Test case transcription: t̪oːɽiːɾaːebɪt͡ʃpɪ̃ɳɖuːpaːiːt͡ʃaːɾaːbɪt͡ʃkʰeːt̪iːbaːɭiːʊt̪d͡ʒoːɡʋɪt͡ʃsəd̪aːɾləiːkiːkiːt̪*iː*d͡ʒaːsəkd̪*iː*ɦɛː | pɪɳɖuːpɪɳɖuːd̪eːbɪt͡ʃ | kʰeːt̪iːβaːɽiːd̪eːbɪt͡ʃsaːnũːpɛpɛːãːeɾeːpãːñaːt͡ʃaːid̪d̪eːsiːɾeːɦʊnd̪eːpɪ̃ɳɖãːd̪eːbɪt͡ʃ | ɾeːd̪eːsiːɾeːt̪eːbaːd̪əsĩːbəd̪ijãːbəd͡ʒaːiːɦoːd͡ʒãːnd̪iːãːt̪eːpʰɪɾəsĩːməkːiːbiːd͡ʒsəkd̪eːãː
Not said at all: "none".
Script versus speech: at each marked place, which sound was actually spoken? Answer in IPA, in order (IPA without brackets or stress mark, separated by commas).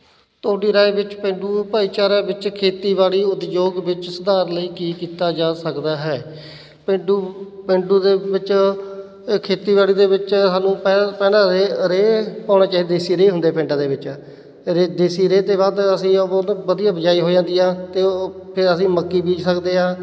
aː, aː